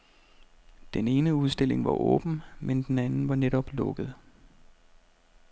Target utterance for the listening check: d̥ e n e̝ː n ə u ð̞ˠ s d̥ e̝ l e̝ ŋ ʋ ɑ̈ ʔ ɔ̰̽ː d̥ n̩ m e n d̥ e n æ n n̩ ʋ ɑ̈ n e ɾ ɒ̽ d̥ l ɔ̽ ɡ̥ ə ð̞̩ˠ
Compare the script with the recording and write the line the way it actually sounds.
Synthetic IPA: d̥ e n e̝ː n ə u ð̞ˠ s d̥ e̝ l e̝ ŋ ʋ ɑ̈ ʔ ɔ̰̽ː b̥ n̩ m e n d̥ e n æ n n̩ ʋ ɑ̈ n e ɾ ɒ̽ b̥ l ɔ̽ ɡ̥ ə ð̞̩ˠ